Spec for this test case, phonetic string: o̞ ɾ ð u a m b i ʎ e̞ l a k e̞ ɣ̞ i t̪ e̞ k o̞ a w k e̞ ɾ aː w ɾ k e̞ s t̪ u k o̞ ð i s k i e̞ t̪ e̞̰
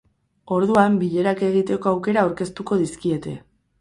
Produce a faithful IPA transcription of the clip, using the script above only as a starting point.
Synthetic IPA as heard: o̞ ɾ ð u a m b i ʎ e̞ ɾ a k e̞ ɣ̞ i t̪ e̞ k o̞ a w k e̞ ɾ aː w ɾ k e̞ s t̪ u k o̞ ð i s k i e̞ t̪ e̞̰